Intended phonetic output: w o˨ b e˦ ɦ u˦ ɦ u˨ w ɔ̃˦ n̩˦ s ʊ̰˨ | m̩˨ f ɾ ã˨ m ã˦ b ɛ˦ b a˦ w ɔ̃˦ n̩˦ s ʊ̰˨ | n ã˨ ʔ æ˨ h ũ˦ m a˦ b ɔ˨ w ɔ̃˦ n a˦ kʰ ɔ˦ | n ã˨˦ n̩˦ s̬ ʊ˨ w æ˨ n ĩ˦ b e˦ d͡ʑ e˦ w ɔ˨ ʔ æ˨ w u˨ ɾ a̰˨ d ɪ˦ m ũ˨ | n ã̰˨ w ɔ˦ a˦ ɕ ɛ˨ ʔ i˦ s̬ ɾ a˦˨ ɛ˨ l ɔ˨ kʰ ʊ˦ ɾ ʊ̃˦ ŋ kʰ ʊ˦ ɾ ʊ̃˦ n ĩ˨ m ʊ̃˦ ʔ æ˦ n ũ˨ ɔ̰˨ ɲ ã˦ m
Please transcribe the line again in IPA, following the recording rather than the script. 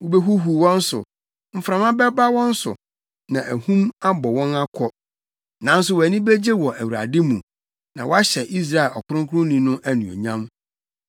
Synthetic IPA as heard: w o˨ b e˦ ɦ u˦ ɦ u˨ w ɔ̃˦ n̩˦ s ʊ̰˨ | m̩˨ f ɾ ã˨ m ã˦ b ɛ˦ b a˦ w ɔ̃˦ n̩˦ s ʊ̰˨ | n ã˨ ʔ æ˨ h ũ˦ m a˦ b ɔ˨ w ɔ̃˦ n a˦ kʰ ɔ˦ | n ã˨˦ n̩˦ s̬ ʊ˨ w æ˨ n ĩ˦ b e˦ d͡ʑ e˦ w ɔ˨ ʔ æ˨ w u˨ ɾ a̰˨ d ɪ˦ m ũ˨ | n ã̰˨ w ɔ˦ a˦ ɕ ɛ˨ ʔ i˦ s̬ ɾ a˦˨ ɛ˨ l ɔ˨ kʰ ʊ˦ ɾ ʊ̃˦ ŋ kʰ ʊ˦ ɾ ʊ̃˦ n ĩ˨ n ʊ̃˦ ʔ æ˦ n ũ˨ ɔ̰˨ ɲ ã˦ m